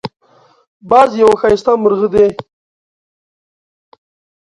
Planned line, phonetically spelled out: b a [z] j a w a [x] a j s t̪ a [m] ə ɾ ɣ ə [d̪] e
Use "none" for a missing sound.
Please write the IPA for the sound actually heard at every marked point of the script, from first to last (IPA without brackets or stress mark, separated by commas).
z, x, m, d̪